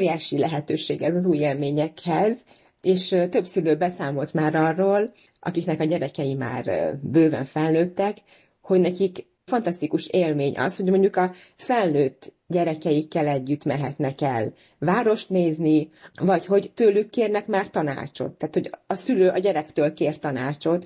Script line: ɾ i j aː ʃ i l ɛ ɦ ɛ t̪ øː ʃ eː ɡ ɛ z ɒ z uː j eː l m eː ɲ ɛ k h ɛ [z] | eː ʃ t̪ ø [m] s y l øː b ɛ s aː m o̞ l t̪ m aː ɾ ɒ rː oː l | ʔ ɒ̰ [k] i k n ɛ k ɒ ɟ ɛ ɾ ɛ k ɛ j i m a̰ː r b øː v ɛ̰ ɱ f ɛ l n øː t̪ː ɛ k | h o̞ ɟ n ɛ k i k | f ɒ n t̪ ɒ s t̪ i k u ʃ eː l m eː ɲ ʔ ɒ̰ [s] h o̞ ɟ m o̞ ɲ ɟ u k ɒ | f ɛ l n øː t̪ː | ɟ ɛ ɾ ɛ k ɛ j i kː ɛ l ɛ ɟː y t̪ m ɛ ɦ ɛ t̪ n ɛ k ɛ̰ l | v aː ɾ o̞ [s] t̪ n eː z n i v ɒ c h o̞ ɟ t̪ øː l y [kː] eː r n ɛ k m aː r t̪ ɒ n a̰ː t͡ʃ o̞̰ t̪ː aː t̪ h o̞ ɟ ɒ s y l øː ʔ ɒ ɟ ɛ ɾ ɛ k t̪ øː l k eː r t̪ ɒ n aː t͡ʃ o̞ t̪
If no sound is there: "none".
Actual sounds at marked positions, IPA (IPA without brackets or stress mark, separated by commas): z, b, k, s, ʃ, kː